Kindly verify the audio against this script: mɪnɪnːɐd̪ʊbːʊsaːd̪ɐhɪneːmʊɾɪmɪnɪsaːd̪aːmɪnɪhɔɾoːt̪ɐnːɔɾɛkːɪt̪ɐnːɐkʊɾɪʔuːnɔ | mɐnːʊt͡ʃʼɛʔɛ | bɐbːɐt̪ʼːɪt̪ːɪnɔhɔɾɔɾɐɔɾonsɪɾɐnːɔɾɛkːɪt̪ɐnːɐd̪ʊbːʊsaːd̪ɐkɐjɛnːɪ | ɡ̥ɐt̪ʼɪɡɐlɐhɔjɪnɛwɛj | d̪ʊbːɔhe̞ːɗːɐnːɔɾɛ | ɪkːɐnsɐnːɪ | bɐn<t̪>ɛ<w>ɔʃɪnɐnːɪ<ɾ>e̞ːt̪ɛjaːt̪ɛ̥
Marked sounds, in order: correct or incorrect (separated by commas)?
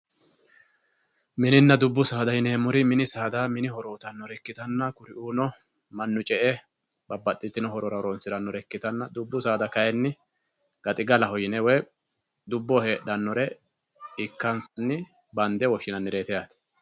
incorrect, correct, correct